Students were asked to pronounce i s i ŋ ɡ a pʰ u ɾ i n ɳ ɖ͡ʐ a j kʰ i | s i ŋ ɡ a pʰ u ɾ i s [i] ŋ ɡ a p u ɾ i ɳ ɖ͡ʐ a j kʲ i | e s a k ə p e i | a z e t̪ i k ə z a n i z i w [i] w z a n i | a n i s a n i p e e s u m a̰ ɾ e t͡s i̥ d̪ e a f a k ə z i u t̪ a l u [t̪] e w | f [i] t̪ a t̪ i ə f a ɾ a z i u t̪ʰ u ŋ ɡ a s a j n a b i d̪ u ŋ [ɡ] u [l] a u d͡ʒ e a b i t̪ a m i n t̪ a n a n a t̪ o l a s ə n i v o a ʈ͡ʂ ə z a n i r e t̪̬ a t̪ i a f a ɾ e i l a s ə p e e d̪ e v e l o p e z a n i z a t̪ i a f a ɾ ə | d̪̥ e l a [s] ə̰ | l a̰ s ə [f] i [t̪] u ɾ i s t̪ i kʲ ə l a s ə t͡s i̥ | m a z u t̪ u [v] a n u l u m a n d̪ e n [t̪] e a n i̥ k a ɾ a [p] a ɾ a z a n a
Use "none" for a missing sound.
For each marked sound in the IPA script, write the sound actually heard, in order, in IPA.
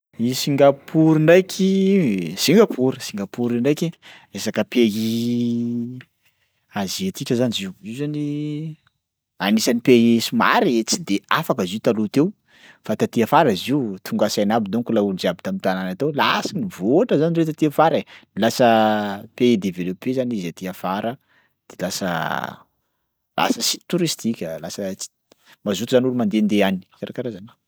i, i, t̪, a, k, l, s, s, t̪, z, d̪, k

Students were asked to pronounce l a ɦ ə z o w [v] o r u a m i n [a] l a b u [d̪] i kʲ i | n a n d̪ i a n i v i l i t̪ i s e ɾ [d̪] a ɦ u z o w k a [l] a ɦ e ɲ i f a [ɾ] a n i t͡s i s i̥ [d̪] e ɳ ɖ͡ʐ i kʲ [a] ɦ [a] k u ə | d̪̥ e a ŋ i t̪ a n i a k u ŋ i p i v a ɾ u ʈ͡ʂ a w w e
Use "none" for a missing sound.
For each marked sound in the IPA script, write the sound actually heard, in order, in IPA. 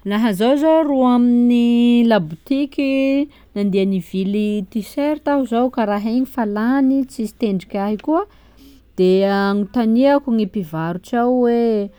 z, i, t̪, t̪, ɾ, l, t̪, a, i

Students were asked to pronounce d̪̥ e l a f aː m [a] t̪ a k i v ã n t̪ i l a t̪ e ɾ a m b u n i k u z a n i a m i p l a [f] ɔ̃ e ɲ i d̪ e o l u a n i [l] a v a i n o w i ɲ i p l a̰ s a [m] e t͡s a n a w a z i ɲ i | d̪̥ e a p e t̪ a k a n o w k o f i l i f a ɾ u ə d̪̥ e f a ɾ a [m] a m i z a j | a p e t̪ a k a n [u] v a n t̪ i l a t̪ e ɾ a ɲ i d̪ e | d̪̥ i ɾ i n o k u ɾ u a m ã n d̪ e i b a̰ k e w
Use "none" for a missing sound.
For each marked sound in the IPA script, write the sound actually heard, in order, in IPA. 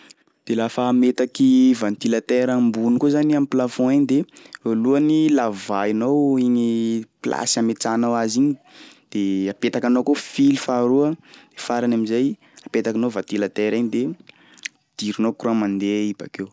e, f, l, m, n, o

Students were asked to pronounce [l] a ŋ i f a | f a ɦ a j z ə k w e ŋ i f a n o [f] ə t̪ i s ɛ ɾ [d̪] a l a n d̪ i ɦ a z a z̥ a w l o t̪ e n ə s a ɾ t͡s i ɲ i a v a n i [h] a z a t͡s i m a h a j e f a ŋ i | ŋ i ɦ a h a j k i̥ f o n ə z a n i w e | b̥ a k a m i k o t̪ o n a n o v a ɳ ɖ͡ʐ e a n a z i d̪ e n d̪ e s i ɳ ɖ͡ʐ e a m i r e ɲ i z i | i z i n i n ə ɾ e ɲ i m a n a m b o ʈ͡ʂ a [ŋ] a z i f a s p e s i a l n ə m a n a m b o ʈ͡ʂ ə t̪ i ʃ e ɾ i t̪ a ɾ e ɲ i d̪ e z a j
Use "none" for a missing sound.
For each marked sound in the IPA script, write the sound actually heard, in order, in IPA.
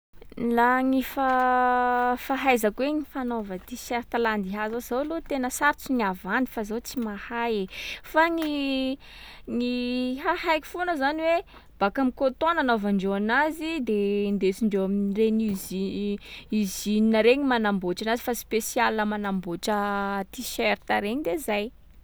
l, v, t̪, f, n

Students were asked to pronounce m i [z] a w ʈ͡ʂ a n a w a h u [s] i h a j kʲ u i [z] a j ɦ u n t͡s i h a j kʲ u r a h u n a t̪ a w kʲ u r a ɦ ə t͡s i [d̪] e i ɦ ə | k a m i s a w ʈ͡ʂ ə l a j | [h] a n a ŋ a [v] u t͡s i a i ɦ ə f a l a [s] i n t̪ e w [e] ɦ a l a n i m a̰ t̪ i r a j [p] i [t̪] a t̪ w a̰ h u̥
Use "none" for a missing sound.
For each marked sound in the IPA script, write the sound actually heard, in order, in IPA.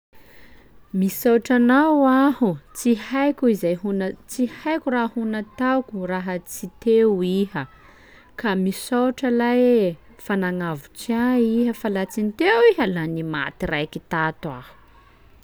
s, t͡s, z, t̪, f, v, t͡s, i, k, t̪

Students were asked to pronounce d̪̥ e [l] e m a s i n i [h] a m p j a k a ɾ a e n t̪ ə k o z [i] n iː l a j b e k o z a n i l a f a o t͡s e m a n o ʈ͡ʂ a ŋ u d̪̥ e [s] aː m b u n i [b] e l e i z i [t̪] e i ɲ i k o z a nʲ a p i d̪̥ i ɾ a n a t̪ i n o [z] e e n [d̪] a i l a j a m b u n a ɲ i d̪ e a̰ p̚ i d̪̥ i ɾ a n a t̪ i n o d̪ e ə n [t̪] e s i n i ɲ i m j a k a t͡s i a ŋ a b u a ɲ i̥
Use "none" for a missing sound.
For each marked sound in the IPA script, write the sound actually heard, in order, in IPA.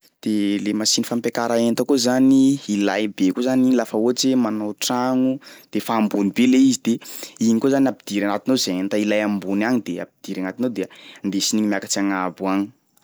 l, f, a, f, b, d̪, z, t̪, d̪

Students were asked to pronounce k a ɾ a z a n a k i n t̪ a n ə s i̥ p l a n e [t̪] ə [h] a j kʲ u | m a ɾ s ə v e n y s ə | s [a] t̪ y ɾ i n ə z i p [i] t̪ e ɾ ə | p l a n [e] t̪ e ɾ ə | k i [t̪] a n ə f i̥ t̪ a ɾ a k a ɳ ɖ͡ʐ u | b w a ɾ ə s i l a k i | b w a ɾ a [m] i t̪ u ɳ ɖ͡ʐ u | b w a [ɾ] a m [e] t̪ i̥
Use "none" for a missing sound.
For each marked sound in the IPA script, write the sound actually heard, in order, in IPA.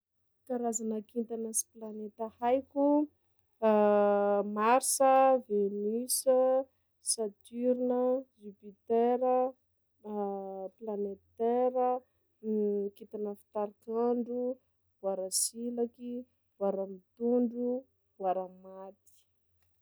t̪, h, a, i, e, t̪, m, ɾ, a

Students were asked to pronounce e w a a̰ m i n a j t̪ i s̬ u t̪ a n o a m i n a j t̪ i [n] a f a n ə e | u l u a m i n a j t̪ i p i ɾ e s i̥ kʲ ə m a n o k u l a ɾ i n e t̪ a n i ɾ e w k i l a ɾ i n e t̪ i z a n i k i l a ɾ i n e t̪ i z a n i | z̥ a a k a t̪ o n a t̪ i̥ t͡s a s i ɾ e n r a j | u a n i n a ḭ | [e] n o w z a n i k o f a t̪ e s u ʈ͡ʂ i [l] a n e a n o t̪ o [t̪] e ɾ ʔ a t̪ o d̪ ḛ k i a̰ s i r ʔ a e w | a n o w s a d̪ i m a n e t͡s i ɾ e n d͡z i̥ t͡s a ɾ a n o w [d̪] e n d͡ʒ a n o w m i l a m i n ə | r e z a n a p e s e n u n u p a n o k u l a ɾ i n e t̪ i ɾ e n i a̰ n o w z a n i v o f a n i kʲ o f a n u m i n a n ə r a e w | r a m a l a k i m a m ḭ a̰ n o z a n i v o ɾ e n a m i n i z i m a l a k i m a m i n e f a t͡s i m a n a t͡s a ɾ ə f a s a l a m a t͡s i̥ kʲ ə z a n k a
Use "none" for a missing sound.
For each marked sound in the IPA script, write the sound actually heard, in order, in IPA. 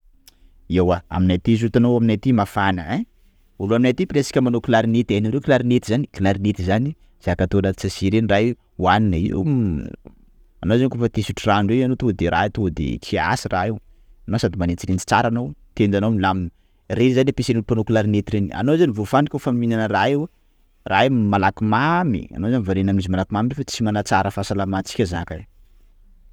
m, a, r, d̪, t̪

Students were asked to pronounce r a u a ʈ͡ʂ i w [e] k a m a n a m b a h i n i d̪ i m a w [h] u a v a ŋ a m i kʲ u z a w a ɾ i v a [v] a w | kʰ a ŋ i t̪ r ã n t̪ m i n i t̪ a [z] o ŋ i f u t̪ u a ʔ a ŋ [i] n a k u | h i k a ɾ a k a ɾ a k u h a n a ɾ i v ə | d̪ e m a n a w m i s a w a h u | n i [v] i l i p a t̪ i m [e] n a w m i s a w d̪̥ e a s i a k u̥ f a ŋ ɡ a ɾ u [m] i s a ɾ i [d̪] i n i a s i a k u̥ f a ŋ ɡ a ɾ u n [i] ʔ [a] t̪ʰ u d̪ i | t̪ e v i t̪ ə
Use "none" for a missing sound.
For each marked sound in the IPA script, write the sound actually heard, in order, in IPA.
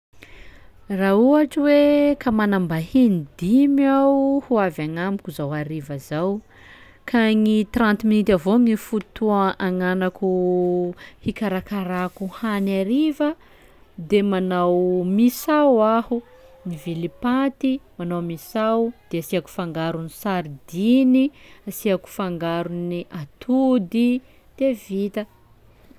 e, h, z, v, a, v, a, n, d̪, i, a

